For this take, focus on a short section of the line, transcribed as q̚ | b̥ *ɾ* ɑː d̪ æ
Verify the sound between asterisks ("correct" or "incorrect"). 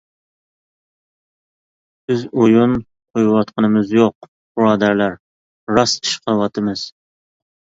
correct